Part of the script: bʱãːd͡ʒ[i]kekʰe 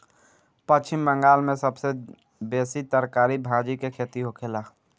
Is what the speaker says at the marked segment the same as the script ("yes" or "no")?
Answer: yes